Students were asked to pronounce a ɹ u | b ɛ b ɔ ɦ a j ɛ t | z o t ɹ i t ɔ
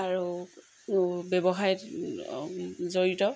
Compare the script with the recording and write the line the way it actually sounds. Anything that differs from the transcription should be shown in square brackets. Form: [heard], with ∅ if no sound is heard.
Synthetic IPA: a ɹ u | b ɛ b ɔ ɦ a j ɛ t | z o [∅] ɹ i t ɔ